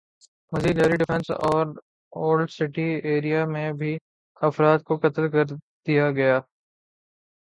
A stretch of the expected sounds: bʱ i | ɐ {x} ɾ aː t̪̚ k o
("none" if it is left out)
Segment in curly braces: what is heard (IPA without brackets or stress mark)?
f